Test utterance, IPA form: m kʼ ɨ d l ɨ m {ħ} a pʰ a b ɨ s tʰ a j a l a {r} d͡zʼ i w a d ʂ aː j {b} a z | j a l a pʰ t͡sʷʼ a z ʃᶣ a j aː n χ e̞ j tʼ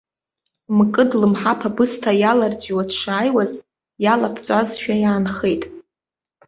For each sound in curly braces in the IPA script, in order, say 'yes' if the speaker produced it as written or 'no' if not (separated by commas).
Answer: yes, yes, no